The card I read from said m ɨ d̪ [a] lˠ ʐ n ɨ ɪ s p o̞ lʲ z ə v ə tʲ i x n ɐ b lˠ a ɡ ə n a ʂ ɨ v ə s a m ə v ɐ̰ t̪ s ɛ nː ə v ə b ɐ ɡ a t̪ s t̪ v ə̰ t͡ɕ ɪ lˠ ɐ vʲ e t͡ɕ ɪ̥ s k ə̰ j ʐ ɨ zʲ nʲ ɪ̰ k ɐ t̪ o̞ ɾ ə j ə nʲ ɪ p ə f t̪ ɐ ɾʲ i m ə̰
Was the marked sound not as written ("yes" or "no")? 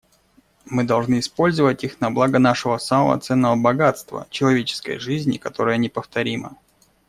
yes